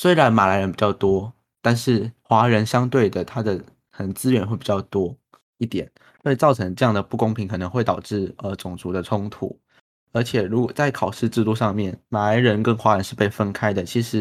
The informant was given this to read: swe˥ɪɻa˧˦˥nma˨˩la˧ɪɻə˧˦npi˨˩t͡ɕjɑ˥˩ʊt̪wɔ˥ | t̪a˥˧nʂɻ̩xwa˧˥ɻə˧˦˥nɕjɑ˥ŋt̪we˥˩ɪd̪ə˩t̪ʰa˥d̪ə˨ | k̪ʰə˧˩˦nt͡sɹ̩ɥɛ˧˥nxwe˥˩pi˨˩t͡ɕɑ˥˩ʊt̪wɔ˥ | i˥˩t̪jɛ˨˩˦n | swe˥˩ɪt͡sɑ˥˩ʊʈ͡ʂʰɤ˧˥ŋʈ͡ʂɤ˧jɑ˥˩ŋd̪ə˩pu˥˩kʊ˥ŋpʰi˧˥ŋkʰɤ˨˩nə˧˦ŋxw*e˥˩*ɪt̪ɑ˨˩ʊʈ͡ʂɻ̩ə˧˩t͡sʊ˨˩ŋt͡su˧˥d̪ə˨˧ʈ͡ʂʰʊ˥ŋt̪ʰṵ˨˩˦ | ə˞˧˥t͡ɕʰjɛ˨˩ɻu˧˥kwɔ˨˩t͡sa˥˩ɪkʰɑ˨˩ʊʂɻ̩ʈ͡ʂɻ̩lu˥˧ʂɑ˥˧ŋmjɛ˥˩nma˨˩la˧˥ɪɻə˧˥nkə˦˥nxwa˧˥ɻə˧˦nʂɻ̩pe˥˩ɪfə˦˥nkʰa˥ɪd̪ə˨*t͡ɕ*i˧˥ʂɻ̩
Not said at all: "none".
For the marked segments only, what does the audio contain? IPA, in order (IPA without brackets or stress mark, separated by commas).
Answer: e˥˩, t͡ɕʰ